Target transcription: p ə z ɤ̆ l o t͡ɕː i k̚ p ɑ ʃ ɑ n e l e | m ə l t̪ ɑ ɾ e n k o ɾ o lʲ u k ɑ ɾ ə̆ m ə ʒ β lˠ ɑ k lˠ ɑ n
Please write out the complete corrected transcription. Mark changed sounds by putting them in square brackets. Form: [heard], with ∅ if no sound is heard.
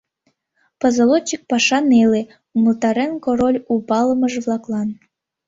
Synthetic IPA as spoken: p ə z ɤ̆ l o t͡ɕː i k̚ p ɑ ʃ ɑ n e l e | m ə l t̪ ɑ ɾ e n k o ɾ o lʲ u [p] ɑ [l] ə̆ m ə ʒ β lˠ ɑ k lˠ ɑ n